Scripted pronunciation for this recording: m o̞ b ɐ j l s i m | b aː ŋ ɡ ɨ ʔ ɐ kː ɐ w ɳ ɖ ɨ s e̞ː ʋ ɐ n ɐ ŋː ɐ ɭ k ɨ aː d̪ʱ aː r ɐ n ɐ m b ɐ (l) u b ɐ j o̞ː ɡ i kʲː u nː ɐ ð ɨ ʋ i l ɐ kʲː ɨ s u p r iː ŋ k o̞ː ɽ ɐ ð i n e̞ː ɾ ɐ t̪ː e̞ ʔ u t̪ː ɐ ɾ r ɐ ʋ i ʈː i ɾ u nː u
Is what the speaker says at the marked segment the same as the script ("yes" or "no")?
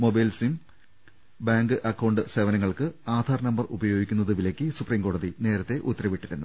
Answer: no